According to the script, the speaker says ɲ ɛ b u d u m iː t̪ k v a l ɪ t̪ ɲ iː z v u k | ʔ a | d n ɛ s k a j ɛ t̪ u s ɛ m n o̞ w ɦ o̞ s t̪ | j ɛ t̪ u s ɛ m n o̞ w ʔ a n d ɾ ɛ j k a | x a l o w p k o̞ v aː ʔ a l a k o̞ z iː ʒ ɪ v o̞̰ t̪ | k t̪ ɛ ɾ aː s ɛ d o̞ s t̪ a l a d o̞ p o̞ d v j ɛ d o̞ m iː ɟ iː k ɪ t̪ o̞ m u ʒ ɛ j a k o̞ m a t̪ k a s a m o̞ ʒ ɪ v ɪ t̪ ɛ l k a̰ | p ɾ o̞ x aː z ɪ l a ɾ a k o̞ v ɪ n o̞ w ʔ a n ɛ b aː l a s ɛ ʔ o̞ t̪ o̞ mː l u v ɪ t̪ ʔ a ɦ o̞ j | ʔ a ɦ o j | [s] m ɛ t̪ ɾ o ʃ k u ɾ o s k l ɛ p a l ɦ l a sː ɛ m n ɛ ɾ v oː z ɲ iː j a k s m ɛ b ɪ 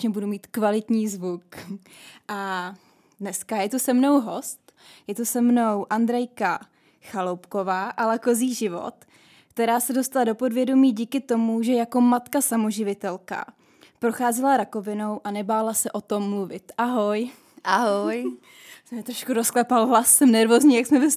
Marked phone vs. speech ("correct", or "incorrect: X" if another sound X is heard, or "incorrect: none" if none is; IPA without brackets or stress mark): correct